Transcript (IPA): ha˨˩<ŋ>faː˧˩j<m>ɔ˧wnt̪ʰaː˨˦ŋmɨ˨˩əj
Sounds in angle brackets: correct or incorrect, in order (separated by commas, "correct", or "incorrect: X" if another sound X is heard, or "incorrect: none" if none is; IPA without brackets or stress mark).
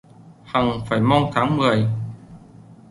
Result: correct, correct